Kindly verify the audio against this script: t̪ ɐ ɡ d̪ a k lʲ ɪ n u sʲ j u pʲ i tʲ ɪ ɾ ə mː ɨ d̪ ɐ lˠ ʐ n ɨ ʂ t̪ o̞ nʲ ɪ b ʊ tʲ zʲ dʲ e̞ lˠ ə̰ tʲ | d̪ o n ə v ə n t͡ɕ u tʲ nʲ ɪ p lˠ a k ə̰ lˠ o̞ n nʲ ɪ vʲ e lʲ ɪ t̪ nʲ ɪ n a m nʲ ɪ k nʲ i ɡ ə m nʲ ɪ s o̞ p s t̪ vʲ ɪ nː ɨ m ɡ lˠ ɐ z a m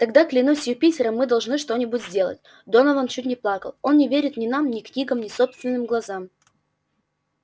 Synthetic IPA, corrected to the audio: t̪ ɐ ɡ d̪ a k lʲ ɪ n u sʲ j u pʲ i tʲ ɪ ɾ ə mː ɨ d̪ ɐ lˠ ʐ n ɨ ʂ t̪ o̞ nʲ ɪ b ʊ tʲ zʲ dʲ e̞ lˠ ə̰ tʲ | d̪ o n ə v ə n t͡ɕ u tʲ nʲ ɪ p lˠ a k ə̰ lˠ o̞ n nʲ ɪ vʲ e ɾʲ ɪ t̪ nʲ ɪ n a m nʲ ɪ k nʲ i ɡ ə m nʲ ɪ s o̞ p s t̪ vʲ ɪ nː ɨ m ɡ lˠ ɐ z a m